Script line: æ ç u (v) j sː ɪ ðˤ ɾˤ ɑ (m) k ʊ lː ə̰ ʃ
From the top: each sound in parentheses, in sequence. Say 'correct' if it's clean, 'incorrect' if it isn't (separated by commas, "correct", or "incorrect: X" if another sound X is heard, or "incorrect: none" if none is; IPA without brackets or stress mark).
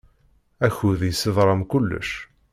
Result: incorrect: ð, correct